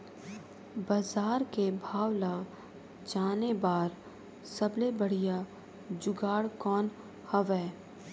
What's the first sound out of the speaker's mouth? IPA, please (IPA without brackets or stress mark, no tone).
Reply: b